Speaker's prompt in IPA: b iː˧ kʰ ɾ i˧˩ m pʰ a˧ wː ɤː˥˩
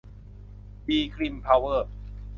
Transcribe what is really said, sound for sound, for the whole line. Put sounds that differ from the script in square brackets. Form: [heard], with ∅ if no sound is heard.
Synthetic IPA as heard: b iː˧ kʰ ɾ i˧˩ m pʰ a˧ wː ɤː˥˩